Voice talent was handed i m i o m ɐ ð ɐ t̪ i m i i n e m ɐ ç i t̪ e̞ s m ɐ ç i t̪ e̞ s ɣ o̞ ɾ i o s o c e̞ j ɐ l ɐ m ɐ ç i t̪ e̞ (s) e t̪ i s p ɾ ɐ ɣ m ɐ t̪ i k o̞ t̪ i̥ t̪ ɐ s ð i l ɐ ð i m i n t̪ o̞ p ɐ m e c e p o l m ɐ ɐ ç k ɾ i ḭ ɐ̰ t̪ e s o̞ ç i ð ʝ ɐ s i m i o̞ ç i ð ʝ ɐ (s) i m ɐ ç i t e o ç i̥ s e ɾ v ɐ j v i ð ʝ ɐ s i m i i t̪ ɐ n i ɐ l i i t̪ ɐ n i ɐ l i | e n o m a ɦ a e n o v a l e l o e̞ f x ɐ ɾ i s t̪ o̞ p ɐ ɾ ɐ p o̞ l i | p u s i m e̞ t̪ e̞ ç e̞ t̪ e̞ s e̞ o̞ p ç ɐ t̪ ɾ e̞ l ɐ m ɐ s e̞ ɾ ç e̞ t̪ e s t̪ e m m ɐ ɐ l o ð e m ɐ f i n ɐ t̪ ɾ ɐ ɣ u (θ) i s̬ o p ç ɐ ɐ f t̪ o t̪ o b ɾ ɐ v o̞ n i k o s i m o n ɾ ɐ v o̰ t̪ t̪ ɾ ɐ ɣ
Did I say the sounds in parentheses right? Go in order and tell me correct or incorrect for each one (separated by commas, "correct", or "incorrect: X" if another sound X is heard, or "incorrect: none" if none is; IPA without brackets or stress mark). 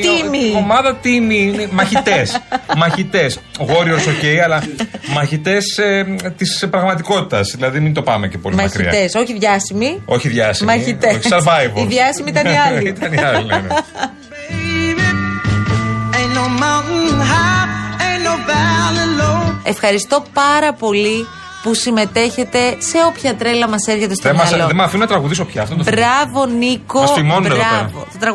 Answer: correct, correct, incorrect: ð